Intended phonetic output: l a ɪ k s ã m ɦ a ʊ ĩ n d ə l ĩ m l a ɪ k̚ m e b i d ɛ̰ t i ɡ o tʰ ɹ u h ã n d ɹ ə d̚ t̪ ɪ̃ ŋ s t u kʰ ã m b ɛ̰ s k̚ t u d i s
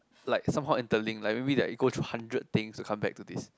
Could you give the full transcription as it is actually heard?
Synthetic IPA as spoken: l a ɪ k s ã m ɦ a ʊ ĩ n t ə l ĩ ŋ l a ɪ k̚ m e b i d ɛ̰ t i ɡ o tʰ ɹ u h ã n d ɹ ə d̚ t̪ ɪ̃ ŋ s t u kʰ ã m b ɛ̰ k̚ t u d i s

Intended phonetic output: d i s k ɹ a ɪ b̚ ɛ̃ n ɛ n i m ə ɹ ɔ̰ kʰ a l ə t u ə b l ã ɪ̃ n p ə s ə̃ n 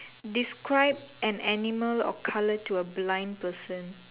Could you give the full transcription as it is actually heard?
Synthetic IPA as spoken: d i s k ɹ a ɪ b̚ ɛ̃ n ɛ n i m ə l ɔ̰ kʰ a l ə t u ə b l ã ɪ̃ n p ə s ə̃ n

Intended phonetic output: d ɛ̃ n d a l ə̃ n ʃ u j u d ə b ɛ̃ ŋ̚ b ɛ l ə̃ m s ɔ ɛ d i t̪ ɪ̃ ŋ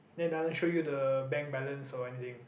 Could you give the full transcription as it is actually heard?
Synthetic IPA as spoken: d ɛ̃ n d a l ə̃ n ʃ o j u d ə b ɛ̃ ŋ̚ b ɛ l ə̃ n s ɔ ɛ n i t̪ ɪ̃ ŋ

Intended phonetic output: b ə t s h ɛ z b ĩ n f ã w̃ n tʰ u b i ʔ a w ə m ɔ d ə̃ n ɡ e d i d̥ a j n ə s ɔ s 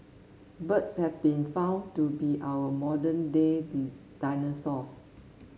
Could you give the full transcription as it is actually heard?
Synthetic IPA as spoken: b ə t s h ɛ v b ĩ n f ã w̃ n t u b i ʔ a w ə m ɔ d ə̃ n d e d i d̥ a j n ə s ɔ s

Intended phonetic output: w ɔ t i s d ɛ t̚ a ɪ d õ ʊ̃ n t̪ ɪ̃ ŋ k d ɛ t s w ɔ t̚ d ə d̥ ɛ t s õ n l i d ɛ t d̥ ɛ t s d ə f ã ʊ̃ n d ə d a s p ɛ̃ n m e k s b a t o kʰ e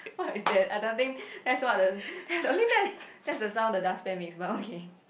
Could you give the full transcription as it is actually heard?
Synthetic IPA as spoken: w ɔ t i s d ɛ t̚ a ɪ d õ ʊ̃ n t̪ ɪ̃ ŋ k d ɛ t s w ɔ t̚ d ə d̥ ɛ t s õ n l i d ɛ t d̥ ɛ t s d ə s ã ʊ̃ n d ə d a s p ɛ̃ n m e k s b a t o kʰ e

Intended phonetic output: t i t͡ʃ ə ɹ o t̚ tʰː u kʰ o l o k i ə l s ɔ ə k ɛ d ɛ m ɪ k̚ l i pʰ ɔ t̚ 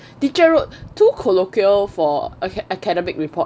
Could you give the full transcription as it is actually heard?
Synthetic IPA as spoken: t i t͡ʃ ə ɹ o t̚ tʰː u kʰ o l o k i ə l f ɔ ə k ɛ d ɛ m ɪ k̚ ɹ i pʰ ɔ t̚

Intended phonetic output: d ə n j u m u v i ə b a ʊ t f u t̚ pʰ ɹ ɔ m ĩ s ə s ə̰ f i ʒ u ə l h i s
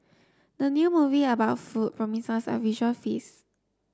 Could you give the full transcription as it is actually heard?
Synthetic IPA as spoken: d ə n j u m u v i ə b a ʊ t f u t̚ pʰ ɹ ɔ m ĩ s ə s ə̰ v i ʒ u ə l f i s

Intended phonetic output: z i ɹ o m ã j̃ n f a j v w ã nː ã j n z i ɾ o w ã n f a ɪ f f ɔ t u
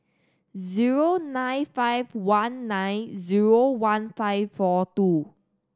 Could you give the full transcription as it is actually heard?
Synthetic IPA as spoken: z i ɹ o n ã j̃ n f a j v w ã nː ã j n z i ɹ o w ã n f a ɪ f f ɔ t u

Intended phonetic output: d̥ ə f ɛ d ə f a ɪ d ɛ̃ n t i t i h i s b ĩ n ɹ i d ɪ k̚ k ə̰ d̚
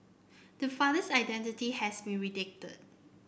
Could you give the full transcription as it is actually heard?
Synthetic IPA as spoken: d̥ ə f a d ə s a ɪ d ɛ̃ n t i t i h ɛ s b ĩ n ɹ i d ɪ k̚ t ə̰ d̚

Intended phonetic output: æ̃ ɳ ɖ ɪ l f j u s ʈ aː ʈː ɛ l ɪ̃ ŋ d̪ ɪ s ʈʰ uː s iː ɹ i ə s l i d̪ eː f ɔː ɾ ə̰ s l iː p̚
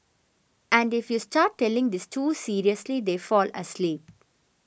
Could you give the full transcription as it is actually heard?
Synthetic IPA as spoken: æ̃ ɳ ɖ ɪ f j u s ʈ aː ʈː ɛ l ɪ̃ ŋ d̪ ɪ s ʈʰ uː s iː ɾ i ə s l i d̪ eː f ɔː l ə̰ s l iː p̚

